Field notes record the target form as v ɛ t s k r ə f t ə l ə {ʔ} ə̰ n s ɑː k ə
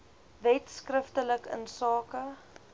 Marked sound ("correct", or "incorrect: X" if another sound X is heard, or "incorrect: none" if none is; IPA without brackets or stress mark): incorrect: k